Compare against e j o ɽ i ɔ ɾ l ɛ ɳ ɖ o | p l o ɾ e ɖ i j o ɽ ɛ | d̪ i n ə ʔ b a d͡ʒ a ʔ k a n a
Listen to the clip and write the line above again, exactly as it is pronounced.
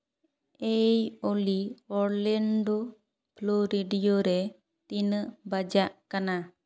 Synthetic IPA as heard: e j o l i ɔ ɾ l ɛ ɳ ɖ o | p l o ɾ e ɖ i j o ɾ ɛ | t̪ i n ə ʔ b a d͡ʒ a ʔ k a n a

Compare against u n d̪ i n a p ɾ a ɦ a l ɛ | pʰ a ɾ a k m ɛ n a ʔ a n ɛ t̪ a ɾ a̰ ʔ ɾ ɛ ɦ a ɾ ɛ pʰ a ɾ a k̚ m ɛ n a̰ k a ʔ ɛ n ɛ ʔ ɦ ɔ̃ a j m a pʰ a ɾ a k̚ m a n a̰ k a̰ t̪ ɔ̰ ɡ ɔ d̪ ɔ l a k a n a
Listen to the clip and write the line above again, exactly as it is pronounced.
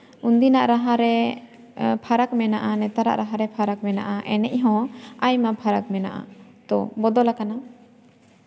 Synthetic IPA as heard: u n d̪ i n a ʔ ɾ a ɦ a ɾ ɛ | pʰ a ɾ a k m ɛ n a ʔ a n ɛ t̪ a ɾ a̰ ʔ ɾ a ɦ a ɾ ɛ pʰ a ɾ a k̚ m ɛ n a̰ ʔ a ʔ ɛ n ɛ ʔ ɦ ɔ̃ a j m a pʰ a ɾ a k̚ m ɛ n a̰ ʔ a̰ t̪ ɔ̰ b ɔ d̪ ɔ l a k a n a

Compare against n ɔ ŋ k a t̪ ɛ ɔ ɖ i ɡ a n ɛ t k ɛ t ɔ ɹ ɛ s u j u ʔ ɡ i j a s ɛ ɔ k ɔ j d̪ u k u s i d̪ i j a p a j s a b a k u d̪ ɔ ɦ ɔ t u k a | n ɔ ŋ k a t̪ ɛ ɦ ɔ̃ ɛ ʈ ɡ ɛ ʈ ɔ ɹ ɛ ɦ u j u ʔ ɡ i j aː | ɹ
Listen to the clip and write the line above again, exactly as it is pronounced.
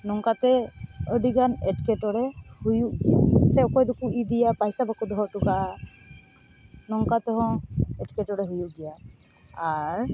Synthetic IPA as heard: n ɔ ŋ k a t̪ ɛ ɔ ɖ i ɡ a n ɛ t k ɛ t ɔ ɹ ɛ h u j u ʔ ɡ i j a s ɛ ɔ k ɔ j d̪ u k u i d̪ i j a p a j s a b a k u d̪ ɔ ɦ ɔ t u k a | n ɔ ŋ k a t̪ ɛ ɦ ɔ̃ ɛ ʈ k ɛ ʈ ɔ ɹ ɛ ɦ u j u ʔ ɡ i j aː | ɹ

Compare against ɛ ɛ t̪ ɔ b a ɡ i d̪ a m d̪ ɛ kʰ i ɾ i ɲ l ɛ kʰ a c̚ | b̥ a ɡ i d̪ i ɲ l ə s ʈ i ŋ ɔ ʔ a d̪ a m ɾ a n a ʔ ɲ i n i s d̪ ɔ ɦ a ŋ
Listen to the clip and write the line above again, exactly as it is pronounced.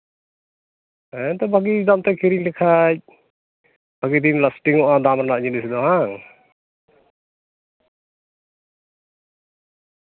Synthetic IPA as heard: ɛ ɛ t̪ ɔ b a ɡ i d̪ a m t̪ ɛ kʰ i ɾ i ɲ l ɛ kʰ a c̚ | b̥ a ɡ i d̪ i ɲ l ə s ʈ i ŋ ɔ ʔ a d̪ a m ɾ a n a ʔ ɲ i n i s d̪ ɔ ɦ a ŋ

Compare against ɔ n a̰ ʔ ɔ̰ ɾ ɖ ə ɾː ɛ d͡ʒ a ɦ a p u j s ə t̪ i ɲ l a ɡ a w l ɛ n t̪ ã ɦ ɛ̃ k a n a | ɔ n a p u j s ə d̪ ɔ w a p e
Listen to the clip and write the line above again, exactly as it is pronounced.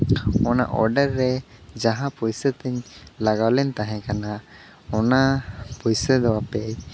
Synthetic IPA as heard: ɔ n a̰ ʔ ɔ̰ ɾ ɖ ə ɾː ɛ d͡ʒ a ɦ a p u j s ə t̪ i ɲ l a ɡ a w l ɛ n t̪ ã ɦ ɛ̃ k a n a | ɔ n a p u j s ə d̪ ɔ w a p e

